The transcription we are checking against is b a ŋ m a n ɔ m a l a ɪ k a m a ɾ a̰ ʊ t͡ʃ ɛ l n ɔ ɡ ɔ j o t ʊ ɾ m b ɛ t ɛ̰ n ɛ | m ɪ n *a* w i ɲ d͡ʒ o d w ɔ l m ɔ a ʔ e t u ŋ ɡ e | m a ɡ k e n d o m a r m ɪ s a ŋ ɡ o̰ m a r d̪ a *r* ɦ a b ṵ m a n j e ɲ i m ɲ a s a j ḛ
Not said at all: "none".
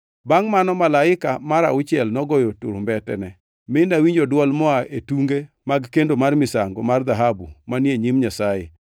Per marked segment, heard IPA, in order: a, none

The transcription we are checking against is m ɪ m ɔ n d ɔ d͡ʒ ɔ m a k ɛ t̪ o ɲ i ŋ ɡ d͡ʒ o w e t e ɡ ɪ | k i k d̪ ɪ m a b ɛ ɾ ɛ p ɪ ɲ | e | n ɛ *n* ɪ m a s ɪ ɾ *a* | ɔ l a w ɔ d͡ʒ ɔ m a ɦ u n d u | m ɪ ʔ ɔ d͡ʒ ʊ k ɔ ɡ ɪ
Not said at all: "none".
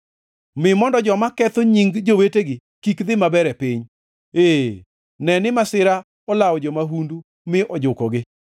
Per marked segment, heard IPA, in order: n, a

